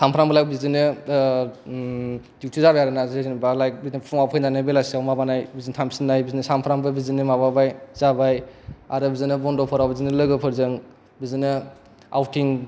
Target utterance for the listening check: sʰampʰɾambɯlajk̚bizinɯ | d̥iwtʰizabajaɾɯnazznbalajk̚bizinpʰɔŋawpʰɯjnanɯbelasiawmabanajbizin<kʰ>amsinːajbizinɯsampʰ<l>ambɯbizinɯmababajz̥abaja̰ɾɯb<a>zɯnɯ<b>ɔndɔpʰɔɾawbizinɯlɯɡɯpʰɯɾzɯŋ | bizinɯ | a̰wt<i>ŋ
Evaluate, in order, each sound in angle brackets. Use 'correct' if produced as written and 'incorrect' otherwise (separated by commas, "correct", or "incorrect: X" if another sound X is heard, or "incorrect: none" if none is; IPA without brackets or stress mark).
incorrect: tʰ, incorrect: ɾ, incorrect: i, correct, correct